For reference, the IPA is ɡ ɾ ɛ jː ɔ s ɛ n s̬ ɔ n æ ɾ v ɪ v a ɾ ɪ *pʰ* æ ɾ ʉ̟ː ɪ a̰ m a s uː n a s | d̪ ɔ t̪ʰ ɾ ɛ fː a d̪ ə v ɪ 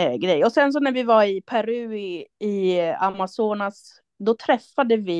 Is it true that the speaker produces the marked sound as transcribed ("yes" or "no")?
yes